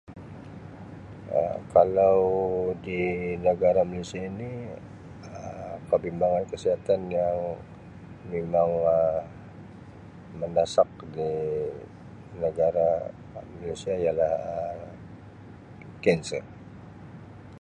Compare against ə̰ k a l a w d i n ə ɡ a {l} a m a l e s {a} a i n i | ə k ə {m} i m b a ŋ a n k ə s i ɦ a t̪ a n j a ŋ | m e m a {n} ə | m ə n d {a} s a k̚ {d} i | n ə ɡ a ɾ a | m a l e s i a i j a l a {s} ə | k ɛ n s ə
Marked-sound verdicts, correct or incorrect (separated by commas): incorrect, incorrect, incorrect, incorrect, correct, correct, incorrect